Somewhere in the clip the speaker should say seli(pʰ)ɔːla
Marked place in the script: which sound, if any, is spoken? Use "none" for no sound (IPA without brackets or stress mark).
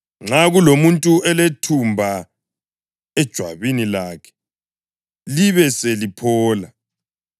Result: pʰ